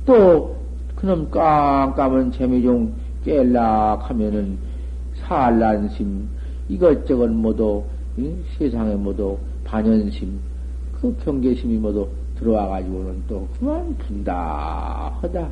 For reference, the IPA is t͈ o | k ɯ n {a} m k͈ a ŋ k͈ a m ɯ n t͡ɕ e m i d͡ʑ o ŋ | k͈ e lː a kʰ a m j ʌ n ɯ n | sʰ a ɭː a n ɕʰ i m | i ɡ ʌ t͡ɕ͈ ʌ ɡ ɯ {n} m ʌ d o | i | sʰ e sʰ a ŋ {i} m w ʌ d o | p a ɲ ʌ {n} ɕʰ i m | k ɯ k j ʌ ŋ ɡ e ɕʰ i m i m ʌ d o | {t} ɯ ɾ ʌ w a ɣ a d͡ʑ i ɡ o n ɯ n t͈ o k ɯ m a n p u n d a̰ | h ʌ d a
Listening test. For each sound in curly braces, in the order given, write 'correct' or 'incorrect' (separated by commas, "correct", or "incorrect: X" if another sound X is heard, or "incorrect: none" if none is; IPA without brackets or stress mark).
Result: incorrect: ʌ, correct, incorrect: e, correct, correct